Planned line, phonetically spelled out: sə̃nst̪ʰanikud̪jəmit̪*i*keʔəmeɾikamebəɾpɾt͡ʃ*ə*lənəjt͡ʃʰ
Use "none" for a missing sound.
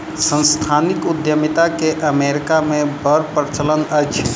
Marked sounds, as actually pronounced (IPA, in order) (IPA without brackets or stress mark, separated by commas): a, ə